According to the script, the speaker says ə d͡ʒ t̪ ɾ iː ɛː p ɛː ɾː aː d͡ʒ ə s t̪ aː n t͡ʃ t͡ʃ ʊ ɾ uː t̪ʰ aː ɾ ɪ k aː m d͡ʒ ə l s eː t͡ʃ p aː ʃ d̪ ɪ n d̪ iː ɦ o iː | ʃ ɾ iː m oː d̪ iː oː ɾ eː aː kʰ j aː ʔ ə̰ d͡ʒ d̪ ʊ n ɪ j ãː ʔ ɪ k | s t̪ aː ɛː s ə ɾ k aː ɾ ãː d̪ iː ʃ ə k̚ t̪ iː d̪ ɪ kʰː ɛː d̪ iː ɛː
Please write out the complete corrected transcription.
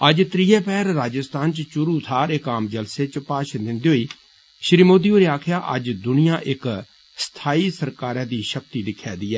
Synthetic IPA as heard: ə d͡ʒ t̪ ɾ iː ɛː p ɛː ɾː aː d͡ʒ ə s t̪ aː n t͡ʃ t͡ʃ ʊ ɾ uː t̪ʰ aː ɾ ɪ k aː m d͡ʒ ə l s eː t͡ʃ p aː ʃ d̪ ɪ n d̪ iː ɦ o iː | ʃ ɾ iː m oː d̪ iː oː ɾ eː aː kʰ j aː ʔ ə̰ d͡ʒ d̪ ʊ n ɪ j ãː ʔ ɪ k | s t̪ʰ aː iː s ə ɾ k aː ɾ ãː d̪ iː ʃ ə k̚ t̪ iː d̪ ɪ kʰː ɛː d̪ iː ɛː

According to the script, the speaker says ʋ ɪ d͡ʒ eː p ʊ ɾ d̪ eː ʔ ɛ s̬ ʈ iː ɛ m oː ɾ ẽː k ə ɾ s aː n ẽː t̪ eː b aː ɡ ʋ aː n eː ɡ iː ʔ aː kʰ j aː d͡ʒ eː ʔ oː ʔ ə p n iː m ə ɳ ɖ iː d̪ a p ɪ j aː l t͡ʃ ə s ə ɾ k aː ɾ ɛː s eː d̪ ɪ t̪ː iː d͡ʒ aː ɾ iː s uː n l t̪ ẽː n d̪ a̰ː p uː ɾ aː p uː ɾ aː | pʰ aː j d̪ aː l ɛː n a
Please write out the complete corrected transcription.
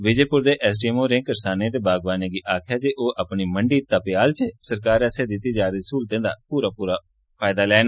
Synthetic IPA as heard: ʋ ɪ d͡ʒ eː p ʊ ɾ d̪ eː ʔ ɛ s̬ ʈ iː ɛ m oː ɾ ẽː k ə ɾ s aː n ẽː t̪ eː b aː ɡ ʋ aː n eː ɡ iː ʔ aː kʰ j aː d͡ʒ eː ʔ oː ʔ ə p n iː m ə ɳ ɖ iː t̪ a p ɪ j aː l t͡ʃ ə s ə ɾ k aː ɾ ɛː s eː d̪ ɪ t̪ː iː d͡ʒ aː ɾ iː s uː l t̪ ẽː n d̪ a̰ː p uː ɾ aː p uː ɾ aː | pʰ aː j d̪ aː l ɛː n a

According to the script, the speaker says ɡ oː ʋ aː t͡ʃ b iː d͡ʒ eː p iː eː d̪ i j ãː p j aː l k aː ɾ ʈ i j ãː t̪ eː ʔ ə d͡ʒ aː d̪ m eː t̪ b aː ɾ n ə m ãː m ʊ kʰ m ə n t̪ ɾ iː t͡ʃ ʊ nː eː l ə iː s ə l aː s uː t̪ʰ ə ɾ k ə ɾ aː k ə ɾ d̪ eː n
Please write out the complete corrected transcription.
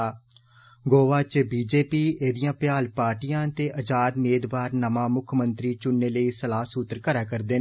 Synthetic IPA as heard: ɡ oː ʋ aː t͡ʃ b iː d͡ʒ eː p iː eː d̪ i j ãː p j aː l p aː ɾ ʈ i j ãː t̪ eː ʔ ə d͡ʒ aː d̪ m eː d̪ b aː ɾ n ə m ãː m ʊ kʰ m ə n t̪ ɾ iː t͡ʃ ʊ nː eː l ə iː s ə l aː s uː t̪ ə ɾ k ə ɾ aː k ə ɾ d̪ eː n

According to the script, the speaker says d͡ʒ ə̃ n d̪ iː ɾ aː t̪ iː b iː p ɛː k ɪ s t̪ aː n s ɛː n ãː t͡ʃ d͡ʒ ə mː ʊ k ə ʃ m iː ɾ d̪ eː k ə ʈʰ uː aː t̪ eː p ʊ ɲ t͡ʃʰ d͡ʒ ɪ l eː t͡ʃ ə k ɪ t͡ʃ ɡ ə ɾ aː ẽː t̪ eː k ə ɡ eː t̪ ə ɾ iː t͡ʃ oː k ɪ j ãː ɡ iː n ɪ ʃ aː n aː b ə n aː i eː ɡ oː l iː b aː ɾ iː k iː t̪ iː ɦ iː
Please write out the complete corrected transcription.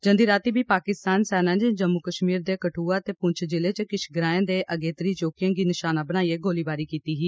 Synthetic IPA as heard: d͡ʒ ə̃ n d̪ iː ɾ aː t̪ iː b iː p aː k ɪ s t̪ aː n s ɛː n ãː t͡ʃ d͡ʒ ə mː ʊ k ə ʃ m iː ɾ d̪ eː k ə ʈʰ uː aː t̪ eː p ʊ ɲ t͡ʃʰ d͡ʒ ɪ l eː t͡ʃ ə k ɪ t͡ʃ ɡ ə ɾ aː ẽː d̪ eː ʔ ə ɡ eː t̪ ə ɾ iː t͡ʃ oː k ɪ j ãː ɡ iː n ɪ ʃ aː n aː b ə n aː i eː ɡ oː l iː b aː ɾ iː k iː t̪ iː ɦ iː

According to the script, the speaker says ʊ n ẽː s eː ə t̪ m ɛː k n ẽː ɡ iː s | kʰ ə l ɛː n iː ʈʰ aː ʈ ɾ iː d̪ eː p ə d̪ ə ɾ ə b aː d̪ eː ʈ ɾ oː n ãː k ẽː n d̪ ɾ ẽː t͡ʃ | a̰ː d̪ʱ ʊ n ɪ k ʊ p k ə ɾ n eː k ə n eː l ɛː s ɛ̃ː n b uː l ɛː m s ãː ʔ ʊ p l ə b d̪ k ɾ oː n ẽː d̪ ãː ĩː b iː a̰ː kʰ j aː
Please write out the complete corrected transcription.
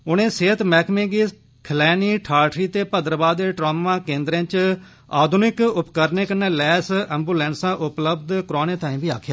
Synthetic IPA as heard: ʊ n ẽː s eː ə t̪ m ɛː k m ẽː ɡ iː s | kʰ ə l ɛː n iː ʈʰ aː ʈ ɾ iː t̪ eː p ə d̪ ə ɾ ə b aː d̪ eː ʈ ɾ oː m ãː k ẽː n d̪ ɾ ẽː t͡ʃ | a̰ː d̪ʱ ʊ n ɪ k ʊ p k ə ɾ n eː k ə n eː l ɛː s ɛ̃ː m b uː l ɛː n s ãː ʔ ʊ p l ə b d̪ k ɾ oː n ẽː t̪ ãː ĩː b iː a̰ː kʰ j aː

